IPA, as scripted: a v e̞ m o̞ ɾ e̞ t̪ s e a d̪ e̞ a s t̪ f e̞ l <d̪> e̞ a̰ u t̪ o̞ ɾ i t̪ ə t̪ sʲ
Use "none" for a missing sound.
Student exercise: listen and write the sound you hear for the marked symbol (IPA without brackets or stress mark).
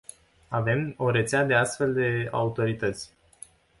d̪